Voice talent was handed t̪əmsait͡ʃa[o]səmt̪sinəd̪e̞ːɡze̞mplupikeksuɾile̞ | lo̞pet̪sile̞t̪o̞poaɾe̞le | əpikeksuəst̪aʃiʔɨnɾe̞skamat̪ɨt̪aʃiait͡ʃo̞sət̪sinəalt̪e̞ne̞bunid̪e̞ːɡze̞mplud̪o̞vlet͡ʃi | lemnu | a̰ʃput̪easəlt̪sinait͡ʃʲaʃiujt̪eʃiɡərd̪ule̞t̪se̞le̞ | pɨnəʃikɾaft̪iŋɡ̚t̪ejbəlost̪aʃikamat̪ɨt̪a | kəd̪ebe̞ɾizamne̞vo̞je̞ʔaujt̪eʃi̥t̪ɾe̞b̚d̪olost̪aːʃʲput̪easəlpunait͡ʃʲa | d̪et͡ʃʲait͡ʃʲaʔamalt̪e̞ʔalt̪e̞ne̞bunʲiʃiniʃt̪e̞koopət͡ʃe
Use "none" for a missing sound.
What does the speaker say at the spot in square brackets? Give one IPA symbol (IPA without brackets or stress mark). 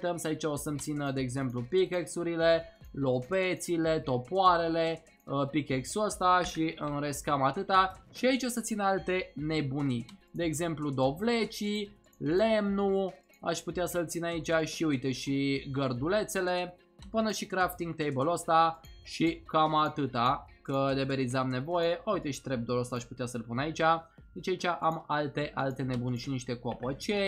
o